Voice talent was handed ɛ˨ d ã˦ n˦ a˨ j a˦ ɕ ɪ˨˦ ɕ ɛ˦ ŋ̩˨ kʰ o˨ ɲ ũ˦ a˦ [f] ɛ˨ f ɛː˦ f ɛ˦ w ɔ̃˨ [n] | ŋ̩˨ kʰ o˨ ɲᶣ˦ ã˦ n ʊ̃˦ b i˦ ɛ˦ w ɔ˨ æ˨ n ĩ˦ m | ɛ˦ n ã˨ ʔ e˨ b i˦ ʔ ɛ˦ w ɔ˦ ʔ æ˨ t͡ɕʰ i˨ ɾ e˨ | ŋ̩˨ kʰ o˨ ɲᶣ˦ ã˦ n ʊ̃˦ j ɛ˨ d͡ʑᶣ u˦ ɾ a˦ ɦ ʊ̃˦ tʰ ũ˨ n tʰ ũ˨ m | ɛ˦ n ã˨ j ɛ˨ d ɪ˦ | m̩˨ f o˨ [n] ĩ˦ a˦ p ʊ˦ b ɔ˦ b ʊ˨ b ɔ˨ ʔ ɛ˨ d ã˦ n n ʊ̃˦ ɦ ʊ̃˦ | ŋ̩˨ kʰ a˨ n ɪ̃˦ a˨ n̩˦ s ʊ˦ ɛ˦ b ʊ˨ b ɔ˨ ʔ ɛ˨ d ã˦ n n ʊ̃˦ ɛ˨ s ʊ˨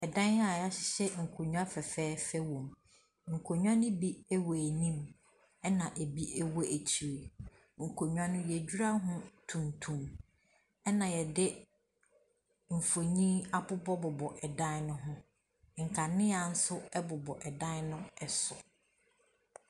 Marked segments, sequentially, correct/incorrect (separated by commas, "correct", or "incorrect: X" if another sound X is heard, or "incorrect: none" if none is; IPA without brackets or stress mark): correct, incorrect: m, incorrect: ɲ